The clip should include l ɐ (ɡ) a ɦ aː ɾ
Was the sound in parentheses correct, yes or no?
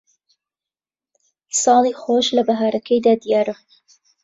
no